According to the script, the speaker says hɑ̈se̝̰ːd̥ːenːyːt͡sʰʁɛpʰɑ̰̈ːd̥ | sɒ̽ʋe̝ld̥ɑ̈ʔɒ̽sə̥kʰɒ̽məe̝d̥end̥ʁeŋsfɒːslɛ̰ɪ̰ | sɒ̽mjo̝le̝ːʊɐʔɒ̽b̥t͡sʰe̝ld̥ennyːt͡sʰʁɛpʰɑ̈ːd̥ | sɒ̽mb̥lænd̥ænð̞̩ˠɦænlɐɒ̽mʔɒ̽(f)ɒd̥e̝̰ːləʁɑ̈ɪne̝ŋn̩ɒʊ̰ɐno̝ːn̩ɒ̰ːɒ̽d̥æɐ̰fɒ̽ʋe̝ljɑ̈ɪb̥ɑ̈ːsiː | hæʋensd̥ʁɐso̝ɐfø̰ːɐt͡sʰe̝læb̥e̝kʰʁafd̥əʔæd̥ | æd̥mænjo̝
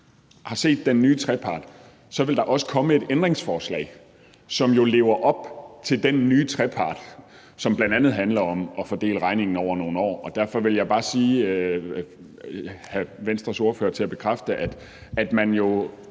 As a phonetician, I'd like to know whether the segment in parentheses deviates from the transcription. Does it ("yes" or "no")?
no